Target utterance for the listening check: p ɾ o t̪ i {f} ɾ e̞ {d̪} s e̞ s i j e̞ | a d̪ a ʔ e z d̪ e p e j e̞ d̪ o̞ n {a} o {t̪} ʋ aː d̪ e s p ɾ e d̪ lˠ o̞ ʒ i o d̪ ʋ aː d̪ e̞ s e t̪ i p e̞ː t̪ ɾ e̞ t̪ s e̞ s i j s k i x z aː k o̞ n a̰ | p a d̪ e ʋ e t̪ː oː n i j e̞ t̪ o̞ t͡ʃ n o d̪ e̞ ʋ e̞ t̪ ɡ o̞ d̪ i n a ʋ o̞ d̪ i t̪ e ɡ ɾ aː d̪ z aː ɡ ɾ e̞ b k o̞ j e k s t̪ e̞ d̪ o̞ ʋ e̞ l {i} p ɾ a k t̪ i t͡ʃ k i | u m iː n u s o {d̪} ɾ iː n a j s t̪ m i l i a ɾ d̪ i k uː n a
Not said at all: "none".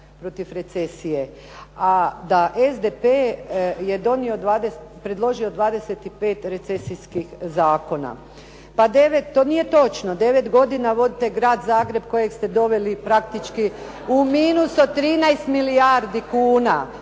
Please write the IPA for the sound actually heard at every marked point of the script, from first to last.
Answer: f, t̪, i, d̪, i, t̪

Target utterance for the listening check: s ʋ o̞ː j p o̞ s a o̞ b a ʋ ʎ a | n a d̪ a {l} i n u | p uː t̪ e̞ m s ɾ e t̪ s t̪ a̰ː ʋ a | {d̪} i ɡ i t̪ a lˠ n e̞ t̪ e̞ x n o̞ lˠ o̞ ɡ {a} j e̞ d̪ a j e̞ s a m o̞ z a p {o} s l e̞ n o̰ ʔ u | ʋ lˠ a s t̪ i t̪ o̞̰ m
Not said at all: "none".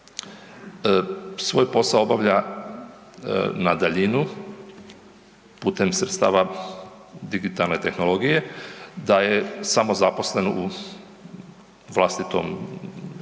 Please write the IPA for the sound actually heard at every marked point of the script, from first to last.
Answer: ʎ, d̪, i, o

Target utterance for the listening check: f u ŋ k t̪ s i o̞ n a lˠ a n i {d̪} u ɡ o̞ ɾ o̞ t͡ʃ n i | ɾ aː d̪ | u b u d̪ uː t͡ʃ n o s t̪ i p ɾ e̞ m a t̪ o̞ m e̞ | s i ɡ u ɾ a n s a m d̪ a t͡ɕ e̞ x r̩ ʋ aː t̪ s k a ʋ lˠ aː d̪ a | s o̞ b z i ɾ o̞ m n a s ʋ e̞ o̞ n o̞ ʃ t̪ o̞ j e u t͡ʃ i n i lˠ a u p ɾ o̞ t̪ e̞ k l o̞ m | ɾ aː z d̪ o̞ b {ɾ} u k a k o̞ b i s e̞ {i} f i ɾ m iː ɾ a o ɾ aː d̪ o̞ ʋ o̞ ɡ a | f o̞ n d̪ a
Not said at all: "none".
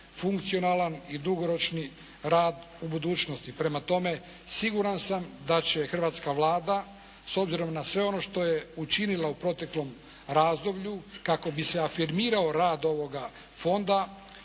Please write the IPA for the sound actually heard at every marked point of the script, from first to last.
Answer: d̪, ʎ, a

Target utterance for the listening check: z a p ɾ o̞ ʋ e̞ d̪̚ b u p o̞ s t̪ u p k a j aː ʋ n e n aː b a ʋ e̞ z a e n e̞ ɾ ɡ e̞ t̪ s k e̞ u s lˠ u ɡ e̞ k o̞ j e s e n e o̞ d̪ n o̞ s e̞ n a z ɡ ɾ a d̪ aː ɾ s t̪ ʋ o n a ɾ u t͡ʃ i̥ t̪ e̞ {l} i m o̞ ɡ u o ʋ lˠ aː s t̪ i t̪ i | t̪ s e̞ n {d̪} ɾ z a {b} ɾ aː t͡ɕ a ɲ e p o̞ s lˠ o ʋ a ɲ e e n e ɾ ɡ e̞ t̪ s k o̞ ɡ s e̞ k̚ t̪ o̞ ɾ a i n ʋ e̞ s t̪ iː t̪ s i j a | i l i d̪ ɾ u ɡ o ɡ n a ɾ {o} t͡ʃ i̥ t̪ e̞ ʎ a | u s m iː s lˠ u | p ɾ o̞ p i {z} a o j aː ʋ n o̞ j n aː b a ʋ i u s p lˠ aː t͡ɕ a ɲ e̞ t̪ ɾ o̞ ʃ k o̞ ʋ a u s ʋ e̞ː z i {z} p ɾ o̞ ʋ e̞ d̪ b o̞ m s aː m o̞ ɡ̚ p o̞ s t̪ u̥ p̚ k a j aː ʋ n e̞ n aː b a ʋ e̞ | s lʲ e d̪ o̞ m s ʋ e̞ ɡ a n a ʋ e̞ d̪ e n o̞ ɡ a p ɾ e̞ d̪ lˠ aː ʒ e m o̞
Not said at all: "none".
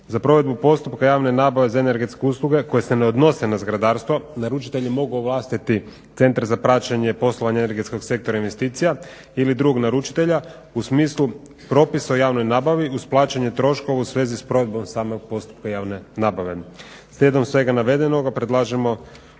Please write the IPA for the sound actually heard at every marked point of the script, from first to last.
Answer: ʎ, t̪, p, u, s, s

